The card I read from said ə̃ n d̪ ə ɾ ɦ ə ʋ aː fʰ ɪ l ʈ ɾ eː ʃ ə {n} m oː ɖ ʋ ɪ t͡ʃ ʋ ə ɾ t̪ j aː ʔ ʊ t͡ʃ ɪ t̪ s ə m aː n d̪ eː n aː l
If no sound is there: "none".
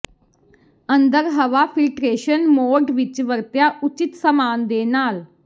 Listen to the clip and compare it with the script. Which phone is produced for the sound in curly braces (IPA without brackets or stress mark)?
n